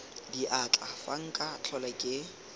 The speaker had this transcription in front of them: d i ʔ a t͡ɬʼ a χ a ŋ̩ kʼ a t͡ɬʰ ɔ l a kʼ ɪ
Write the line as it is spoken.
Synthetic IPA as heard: d i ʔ a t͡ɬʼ a f a ŋ̩ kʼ a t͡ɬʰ ɔ l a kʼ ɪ